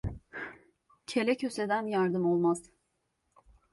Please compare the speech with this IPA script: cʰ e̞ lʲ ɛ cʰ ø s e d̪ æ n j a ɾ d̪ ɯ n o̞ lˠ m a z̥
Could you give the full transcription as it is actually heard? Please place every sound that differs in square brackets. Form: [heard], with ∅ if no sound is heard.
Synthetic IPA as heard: cʰ e̞ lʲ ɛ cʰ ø s e d̪ æ n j a ɾ d̪ ɯ [m] o̞ lˠ m a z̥